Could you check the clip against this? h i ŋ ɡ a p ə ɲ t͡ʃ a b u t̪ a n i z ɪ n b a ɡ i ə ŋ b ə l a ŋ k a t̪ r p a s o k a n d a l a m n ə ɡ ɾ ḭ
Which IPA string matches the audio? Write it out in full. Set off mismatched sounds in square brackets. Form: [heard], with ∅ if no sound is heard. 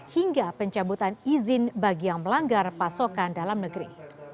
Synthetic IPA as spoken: h i ŋ ɡ a p ə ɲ t͡ʃ a b u t̪ a n i z ɪ n b a ɡ i [a] ŋ [m] ə l a ŋ [ɡ] a [∅] r p a s o k a n d a l a m n ə ɡ ɾ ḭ